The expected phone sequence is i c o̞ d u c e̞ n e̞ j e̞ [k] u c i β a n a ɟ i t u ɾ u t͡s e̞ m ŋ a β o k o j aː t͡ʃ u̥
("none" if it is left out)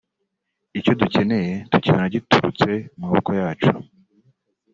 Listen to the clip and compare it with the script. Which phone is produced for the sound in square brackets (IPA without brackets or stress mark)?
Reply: t